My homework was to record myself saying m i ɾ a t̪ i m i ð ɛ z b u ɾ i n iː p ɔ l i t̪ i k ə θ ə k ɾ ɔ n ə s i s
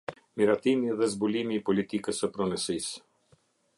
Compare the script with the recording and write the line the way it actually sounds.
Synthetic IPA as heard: m i ɾ a t̪ i m i ð ɛ z b u l i m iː p ɔ l i t̪ i k ə s ə p ɾ ɔ n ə s i s